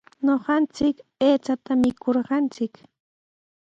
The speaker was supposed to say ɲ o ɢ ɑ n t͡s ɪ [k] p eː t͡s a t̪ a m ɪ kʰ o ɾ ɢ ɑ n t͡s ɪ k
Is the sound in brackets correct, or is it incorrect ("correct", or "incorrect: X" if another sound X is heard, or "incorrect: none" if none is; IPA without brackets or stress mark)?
correct